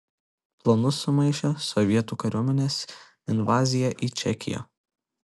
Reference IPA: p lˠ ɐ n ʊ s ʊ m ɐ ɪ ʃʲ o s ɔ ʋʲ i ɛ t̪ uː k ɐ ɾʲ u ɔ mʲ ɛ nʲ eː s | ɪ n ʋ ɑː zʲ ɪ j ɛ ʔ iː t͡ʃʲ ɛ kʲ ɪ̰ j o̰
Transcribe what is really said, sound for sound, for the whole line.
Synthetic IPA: p lˠ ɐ n ʊ s ʊ m ɐ ɪ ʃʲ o s ɔ ʋʲ i ɛ t̪ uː k ɐ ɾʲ u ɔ mʲ ɛ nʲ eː s | ɪ n ʋ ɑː zʲ ɪ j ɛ ʔ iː t͡ʃʲ ɛ kʲ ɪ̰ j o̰